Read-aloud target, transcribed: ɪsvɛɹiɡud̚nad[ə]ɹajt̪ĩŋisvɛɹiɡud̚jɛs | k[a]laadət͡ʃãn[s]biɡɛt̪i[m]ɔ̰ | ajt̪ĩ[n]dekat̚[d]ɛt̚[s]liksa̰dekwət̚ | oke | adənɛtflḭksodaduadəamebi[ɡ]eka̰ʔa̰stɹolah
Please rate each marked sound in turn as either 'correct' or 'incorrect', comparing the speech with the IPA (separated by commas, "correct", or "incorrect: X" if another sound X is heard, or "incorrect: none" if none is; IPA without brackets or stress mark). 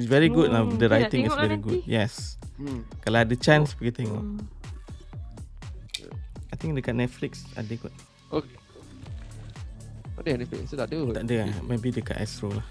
correct, correct, correct, incorrect: ŋ, incorrect: ŋ, incorrect: n, incorrect: f, incorrect: d